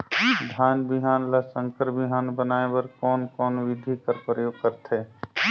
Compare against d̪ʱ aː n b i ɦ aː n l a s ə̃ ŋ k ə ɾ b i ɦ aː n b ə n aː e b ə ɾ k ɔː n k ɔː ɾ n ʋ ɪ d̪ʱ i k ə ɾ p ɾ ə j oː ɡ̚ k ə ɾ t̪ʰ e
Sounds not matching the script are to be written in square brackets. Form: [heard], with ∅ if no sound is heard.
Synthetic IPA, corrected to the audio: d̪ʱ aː n b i ɦ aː n l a s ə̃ ŋ k ə ɾ b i ɦ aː n b ə n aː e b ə ɾ k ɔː n k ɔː [∅] n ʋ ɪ d̪ʱ i k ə ɾ p ɾ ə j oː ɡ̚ k ə ɾ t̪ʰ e